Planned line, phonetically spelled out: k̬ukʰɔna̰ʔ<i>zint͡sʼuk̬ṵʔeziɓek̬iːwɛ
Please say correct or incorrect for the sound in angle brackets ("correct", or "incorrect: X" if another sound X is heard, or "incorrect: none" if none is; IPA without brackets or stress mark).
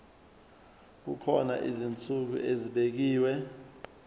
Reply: correct